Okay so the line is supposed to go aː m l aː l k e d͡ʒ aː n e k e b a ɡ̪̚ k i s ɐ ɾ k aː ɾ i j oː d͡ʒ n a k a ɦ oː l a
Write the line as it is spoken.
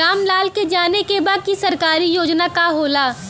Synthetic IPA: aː m l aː l k e d͡ʒ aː n e k e b a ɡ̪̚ k i s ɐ ɾ k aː ɾ i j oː d͡ʒ n a k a ɦ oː l a